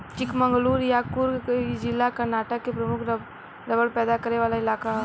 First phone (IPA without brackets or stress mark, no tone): t͡ʃ